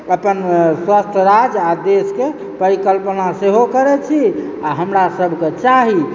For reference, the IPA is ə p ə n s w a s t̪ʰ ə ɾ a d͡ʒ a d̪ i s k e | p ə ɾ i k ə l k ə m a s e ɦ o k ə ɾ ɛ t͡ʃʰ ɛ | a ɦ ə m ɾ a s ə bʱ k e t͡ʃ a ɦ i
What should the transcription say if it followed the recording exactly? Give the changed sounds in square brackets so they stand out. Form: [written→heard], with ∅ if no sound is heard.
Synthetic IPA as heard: ə p ə n s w a s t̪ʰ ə ɾ a d͡ʒ a d̪ [i→e] s k e | p ə ɾ i k ə l [k→p] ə [m→n] a s e ɦ o k ə ɾ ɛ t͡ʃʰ [ɛ→i] | a ɦ ə m ɾ a s ə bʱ k e t͡ʃ a ɦ i